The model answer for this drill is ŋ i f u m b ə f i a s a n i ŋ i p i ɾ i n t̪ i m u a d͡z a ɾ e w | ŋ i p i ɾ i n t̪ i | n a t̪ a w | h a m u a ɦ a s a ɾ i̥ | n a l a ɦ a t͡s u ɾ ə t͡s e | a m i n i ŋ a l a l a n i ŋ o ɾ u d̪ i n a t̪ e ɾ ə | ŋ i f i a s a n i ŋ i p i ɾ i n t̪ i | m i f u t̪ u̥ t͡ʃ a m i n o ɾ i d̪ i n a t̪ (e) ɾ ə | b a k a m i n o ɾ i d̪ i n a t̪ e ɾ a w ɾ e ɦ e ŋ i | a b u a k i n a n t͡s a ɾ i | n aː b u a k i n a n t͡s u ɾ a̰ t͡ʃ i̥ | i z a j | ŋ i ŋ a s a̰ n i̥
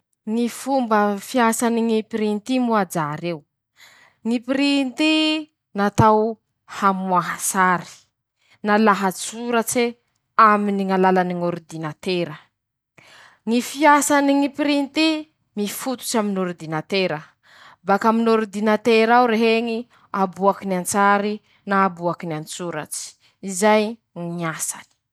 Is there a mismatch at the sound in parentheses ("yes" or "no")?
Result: no